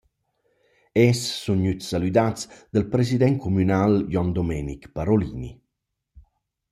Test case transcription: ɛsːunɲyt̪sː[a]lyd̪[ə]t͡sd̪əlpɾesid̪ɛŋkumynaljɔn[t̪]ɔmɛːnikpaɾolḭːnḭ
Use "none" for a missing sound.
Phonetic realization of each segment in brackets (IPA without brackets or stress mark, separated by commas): a, a, d̪